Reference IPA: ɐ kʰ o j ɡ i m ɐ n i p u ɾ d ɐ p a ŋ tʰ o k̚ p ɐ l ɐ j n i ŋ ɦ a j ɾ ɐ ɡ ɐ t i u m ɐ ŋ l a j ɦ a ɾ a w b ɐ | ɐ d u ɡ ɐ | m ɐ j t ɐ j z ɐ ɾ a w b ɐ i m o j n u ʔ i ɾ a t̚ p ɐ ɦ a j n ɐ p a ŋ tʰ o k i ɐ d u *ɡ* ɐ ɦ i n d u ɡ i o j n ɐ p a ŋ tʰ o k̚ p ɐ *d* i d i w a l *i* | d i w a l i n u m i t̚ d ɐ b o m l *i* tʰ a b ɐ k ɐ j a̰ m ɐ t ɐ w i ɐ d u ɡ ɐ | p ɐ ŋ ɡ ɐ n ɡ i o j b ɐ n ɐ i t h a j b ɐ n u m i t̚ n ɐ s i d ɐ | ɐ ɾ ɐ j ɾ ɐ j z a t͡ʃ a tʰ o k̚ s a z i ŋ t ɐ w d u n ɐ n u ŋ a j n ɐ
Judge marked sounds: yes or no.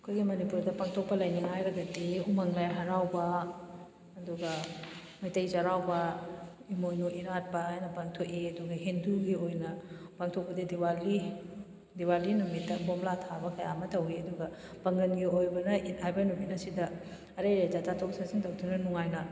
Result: yes, yes, yes, no

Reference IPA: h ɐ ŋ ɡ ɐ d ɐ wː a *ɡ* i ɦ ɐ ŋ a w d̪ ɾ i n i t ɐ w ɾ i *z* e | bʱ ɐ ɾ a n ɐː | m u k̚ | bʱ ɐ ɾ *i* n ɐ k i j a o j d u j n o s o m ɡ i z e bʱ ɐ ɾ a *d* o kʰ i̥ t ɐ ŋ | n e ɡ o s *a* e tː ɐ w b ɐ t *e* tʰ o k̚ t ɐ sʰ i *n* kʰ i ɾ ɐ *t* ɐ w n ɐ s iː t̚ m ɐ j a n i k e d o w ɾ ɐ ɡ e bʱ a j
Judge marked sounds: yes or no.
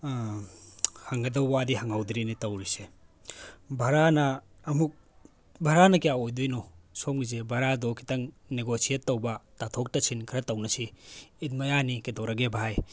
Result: no, no, no, yes, no, no, yes, yes

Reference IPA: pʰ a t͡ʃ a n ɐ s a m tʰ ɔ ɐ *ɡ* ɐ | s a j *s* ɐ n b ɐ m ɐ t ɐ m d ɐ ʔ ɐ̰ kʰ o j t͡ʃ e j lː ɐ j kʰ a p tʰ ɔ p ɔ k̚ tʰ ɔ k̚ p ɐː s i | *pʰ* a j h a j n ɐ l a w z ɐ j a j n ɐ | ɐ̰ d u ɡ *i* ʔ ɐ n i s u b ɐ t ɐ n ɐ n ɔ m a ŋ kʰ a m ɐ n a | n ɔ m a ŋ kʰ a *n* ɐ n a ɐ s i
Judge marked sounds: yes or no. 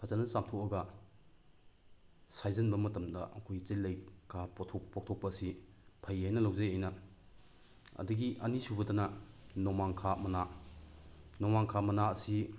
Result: yes, no, yes, yes, no

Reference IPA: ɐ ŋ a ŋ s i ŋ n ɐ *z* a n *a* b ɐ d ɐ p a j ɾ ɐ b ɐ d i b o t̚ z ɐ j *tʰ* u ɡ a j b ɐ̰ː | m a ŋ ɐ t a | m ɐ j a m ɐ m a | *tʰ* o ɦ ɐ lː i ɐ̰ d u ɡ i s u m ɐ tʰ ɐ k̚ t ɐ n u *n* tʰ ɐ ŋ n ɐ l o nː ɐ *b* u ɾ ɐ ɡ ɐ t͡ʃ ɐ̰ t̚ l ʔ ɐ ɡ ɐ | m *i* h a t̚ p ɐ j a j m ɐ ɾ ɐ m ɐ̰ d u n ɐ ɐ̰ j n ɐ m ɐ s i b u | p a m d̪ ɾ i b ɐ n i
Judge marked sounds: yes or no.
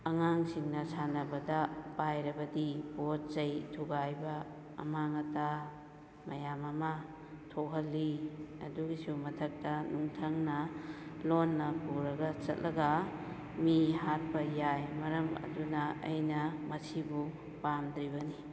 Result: no, no, yes, yes, no, no, yes

